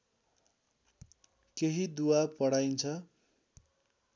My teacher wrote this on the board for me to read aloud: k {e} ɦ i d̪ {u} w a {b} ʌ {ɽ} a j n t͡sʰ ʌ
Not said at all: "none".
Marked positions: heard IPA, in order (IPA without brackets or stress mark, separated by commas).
e, u, p, ɽ